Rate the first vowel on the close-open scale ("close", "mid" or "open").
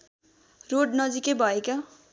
mid